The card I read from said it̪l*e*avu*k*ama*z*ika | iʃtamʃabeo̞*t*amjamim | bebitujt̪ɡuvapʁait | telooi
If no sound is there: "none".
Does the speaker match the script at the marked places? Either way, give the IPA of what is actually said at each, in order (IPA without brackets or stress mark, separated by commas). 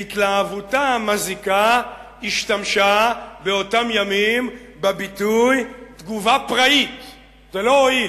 a, t, z, t